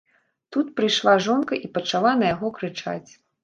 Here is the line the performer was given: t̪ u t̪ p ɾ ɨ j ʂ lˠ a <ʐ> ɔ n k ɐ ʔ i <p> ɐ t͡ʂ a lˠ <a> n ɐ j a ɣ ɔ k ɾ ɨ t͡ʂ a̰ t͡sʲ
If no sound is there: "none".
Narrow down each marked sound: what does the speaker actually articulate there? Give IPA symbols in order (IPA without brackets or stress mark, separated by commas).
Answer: ʐ, p, a